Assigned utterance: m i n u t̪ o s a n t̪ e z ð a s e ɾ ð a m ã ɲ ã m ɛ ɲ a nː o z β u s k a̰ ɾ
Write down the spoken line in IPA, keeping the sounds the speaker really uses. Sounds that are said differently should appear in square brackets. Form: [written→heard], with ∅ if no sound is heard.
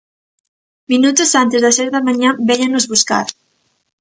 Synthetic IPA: m i n u t̪ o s a n t̪ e z ð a s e ɾ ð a m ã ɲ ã [m→b] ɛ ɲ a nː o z β u s k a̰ ɾ